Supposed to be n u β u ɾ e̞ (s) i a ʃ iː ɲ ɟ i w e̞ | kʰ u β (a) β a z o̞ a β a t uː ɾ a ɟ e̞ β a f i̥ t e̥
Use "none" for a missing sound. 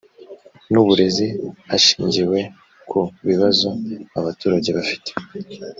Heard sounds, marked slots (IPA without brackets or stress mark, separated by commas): z, i